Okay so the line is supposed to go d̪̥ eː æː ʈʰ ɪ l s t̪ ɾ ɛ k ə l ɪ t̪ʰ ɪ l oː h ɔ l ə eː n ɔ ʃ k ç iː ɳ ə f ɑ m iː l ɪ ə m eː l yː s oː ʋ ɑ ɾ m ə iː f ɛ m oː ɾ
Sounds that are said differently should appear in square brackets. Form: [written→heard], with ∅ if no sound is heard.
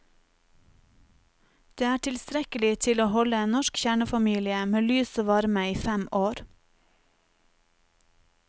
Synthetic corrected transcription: d̪̥ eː æː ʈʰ ɪ l s t̪ ɾ ɛ k ə l ɪ t̪ʰ ɪ l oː h ɔ l ə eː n ɔ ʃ k ç [iː→æː] ɳ ə f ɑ m iː l ɪ ə m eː l yː s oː ʋ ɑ ɾ m ə iː f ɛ m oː ɾ